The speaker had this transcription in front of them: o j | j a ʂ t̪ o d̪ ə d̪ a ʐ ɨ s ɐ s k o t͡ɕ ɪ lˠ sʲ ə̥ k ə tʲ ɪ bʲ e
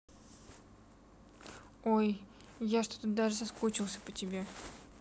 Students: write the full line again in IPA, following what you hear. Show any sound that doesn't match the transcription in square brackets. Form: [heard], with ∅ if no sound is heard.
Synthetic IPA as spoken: o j | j a ʂ t̪ o [t̪] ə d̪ a ʐ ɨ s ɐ s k o t͡ɕ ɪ lˠ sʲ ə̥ [p] ə tʲ ɪ bʲ e